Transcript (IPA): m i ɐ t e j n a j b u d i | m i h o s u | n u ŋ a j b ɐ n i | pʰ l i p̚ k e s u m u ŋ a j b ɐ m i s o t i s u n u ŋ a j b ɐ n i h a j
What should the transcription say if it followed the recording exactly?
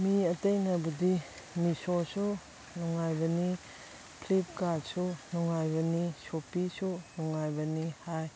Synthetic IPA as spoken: m i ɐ t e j n a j b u d i | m i s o s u | n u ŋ a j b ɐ n i | pʰ l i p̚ k a s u n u ŋ a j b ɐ n i s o p i s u n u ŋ a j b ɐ n i h a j